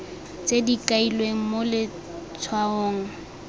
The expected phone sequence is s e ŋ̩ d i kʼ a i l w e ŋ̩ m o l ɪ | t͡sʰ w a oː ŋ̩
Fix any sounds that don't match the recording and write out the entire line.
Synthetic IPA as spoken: t͡s e d i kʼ a i l w e ŋ̩ m o l ɪ | t͡sʰ w a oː ŋ̩